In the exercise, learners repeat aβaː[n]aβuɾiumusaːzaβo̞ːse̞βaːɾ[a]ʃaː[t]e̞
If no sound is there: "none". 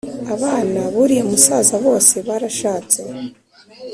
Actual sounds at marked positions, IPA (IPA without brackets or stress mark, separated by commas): n, a, t͡s